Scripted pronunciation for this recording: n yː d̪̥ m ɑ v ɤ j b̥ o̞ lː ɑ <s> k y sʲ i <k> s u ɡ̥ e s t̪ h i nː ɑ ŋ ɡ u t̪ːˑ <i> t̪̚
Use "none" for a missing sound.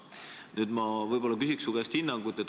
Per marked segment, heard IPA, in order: none, k, e

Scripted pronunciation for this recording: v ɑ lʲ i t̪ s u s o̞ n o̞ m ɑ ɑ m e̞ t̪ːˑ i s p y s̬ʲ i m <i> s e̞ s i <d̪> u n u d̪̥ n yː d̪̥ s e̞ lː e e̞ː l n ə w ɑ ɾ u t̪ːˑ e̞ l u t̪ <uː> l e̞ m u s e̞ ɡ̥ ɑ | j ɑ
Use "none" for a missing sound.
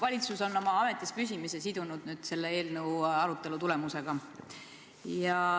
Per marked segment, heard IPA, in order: i, d̪, u

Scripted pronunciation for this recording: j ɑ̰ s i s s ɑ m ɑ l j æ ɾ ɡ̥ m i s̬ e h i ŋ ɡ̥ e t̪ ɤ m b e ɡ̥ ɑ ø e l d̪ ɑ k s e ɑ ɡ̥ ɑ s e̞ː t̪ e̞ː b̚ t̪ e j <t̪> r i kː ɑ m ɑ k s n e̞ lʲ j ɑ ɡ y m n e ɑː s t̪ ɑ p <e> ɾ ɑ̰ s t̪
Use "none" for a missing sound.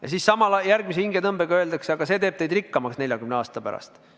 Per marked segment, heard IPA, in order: d̪, æ

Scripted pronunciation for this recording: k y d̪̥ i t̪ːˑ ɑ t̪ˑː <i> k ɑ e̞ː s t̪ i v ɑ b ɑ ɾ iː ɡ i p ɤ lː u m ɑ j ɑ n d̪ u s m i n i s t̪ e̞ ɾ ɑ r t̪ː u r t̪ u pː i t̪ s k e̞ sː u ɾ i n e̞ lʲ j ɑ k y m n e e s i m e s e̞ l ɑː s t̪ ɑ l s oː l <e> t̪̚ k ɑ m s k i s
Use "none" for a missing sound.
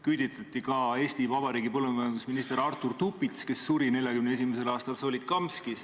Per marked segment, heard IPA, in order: i, i

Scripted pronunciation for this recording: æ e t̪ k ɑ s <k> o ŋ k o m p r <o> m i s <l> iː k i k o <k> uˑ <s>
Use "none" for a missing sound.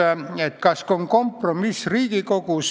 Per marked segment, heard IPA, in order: k, o, r, k, s

